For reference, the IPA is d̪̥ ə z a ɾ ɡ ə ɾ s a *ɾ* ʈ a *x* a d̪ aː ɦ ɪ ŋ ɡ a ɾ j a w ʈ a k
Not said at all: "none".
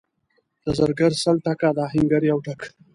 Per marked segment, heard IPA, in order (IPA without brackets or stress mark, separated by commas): l, k